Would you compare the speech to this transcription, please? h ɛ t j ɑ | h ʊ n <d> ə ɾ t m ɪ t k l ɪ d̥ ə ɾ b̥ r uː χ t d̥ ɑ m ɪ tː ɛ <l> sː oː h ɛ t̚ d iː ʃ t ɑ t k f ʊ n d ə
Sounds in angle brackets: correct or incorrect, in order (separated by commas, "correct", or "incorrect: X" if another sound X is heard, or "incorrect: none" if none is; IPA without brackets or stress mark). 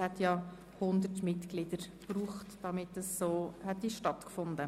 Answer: correct, incorrect: none